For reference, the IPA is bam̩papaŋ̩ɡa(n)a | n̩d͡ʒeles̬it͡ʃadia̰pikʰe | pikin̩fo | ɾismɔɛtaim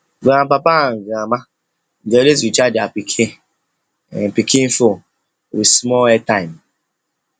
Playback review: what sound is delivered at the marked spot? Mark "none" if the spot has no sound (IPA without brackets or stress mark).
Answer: m